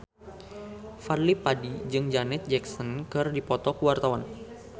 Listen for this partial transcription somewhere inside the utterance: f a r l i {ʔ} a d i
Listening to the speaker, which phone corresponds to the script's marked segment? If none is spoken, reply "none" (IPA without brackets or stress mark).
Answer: p